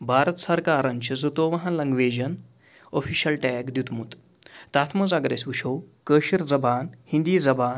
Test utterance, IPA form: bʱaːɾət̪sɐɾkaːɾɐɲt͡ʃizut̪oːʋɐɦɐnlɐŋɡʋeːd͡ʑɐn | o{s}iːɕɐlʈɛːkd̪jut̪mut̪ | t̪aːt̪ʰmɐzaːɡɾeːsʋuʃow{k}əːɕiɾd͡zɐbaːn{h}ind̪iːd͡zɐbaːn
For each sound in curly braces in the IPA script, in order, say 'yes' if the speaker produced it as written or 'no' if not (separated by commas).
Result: no, yes, yes